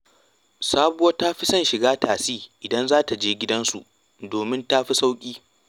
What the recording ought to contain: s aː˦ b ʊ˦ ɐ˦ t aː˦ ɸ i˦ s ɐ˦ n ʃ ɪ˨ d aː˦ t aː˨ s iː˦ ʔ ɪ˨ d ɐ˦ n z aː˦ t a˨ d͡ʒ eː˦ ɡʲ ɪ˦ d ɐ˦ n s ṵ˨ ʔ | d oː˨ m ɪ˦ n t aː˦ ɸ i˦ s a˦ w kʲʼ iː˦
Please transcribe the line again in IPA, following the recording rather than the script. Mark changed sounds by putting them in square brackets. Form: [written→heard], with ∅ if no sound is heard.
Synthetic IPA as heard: s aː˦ b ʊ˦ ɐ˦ t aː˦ ɸ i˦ s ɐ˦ n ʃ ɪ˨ [d→ɡ] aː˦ t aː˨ s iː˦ ʔ ɪ˨ d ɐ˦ n z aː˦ t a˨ d͡ʒ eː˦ ɡʲ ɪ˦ d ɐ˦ n s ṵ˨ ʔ | d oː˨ m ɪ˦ n t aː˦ ɸ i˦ s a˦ w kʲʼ iː˦